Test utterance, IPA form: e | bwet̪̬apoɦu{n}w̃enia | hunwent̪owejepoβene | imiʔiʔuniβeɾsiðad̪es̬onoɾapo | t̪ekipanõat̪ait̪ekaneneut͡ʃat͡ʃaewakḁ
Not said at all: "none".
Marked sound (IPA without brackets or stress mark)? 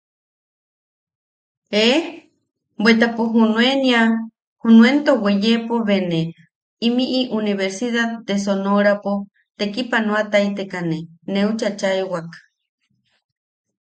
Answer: n